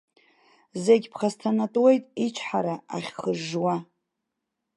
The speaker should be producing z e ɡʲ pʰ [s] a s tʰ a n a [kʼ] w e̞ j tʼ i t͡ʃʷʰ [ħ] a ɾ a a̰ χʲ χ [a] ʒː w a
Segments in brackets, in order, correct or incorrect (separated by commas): incorrect, incorrect, correct, incorrect